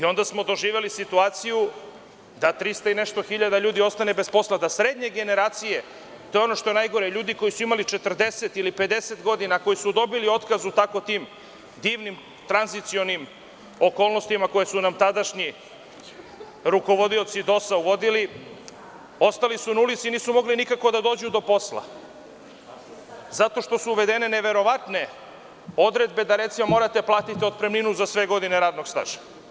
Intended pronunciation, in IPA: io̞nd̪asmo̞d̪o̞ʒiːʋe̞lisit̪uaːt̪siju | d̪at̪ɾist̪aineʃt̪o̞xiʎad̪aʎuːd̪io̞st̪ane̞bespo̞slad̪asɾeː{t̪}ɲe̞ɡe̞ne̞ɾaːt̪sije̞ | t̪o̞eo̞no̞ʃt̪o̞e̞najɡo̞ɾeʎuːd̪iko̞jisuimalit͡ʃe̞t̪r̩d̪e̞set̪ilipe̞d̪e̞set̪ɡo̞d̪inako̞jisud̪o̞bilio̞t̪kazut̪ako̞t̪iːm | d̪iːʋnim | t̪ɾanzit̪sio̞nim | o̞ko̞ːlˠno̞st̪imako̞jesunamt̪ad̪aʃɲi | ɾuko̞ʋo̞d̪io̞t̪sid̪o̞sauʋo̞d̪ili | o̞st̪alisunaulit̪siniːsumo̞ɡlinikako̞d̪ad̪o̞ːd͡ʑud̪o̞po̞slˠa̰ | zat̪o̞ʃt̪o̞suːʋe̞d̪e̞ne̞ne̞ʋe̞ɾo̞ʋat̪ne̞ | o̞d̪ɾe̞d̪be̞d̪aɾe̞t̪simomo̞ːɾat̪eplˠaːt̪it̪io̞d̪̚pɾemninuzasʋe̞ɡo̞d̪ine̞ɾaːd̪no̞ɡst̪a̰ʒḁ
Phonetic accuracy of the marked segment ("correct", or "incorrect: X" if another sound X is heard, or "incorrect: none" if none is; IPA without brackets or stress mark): incorrect: d̪